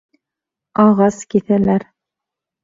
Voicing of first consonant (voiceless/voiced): voiced